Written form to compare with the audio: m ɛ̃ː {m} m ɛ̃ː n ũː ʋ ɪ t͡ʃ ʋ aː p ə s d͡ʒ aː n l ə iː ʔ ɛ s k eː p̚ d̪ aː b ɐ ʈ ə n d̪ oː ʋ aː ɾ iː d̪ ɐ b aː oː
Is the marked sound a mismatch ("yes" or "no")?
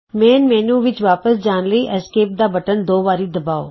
yes